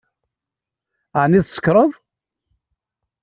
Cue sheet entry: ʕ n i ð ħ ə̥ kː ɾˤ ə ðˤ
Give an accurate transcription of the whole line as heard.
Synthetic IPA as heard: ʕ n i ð s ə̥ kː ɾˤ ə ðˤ